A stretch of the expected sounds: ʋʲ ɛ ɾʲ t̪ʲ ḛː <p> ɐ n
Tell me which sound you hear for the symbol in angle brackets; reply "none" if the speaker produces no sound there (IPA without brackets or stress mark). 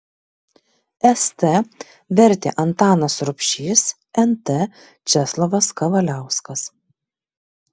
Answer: ʔ